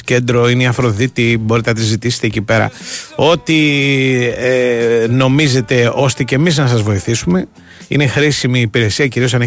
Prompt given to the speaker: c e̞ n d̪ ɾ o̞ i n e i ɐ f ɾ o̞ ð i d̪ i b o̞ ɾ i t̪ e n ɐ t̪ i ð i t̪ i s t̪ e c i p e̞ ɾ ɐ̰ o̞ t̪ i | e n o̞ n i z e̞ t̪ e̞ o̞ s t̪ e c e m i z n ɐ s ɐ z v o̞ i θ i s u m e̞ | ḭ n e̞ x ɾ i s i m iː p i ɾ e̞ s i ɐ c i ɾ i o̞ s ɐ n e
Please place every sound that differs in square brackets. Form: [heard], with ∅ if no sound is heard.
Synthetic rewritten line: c e̞ n d̪ ɾ o̞ i n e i ɐ f ɾ o̞ ð i [t̪] i b o̞ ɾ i t̪ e n ɐ t̪ i [z] i t̪ i s t̪ e c i p e̞ ɾ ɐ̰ o̞ t̪ i | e n o̞ [m] i z e̞ t̪ e̞ o̞ s t̪ e c e m i z n ɐ s ɐ z v o̞ i θ i s u m e̞ | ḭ n e̞ x ɾ i s i m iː p i ɾ e̞ s i ɐ c i ɾ i o̞ s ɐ n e